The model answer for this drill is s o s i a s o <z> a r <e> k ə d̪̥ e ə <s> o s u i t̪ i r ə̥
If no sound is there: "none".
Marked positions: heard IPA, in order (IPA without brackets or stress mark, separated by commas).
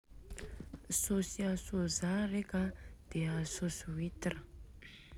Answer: z, e, s